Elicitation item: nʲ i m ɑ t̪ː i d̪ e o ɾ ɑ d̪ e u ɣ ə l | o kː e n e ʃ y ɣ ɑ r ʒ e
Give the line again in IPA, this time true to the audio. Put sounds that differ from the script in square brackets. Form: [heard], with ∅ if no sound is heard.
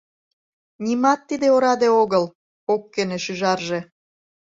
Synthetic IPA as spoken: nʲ i m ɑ t̪ː i d̪ e o ɾ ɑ d̪ e [o] ɣ ə l | o kː e n e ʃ y [ʒ] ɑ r ʒ e